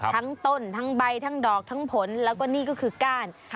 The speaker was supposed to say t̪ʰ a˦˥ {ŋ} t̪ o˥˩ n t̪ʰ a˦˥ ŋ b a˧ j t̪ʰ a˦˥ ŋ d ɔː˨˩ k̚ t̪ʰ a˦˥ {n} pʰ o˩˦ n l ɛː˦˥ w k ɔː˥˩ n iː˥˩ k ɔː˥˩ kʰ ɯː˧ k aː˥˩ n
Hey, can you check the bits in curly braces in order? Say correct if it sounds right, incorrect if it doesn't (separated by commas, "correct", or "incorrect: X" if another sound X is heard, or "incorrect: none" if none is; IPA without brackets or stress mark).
correct, incorrect: ŋ